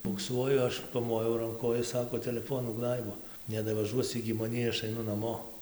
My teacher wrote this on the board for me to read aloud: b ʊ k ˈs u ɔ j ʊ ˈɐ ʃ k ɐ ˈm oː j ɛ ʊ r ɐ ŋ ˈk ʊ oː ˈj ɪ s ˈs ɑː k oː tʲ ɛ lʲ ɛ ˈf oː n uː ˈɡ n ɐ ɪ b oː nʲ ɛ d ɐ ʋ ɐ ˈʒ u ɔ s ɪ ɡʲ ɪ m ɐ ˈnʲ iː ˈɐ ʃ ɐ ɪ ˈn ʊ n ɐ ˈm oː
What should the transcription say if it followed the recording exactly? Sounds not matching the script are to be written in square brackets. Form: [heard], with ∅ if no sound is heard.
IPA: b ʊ k ˈs u ɔ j ʊ ˈɐ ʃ [p] ɐ ˈm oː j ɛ ʊ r ɐ ŋ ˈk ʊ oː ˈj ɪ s ˈs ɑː k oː tʲ ɛ lʲ ɛ ˈf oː n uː ˈɡ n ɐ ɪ b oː nʲ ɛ d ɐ ʋ ɐ ˈʒ u ɔ s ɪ ɡʲ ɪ m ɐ ˈnʲ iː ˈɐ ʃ ɐ ɪ ˈn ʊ n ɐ ˈm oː